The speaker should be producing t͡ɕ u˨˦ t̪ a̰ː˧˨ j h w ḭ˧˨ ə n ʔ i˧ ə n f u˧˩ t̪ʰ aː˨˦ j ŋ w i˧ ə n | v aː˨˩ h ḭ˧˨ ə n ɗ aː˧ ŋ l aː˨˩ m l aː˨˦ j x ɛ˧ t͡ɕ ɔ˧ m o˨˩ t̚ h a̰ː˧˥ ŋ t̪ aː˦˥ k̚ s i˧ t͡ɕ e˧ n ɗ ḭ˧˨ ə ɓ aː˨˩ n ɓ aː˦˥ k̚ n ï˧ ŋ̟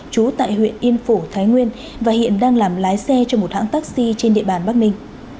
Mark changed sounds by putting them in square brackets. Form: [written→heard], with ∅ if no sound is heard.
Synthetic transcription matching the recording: t͡ɕ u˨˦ t̪ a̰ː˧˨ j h w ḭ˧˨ ə n ʔ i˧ ə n f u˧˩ t̪ʰ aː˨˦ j ŋ w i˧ ə n | v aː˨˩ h ḭ˧˨ ə n ɗ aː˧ ŋ l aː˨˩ m l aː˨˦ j [x→s] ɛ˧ t͡ɕ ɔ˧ m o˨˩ t̚ h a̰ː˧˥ ŋ t̪ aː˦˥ k̚ s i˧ t͡ɕ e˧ n ɗ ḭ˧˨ ə ɓ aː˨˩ n ɓ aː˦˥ k̚ n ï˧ ŋ̟